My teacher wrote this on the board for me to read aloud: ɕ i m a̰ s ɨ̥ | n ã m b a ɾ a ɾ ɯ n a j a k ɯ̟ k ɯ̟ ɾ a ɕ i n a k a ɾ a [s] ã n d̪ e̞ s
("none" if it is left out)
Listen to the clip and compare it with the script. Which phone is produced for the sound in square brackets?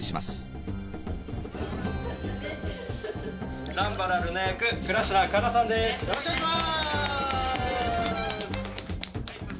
s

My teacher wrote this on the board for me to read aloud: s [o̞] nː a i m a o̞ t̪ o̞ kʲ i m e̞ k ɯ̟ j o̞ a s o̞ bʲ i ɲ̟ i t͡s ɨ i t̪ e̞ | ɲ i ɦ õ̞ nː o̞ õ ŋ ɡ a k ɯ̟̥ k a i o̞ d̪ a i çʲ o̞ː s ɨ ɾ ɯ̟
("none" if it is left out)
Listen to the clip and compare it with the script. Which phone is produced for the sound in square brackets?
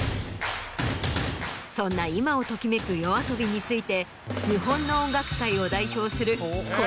õ̞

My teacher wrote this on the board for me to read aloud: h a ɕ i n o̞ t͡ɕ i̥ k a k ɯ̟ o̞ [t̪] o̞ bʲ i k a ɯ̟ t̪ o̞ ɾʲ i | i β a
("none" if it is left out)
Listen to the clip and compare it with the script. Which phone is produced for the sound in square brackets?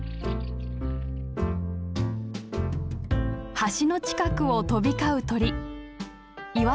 t̪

